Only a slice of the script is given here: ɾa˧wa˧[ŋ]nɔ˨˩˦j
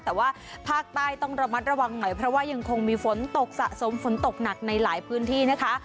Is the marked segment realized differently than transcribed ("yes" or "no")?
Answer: no